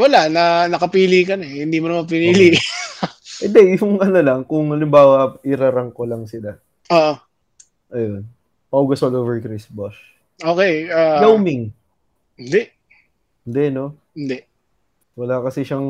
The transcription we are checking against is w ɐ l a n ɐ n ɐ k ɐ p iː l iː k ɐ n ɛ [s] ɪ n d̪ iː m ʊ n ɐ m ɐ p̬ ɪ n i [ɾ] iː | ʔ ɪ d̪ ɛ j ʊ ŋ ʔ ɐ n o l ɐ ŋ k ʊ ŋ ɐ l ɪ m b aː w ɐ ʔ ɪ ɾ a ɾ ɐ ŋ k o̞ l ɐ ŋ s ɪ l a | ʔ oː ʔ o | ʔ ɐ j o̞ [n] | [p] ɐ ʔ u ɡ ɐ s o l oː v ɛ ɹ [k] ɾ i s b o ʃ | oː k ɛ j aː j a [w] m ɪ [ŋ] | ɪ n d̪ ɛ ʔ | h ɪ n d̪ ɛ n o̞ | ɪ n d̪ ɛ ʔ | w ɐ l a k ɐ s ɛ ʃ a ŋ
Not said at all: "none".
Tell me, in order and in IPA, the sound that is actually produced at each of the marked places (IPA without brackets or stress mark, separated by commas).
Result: h, l, n, p, k, w, ŋ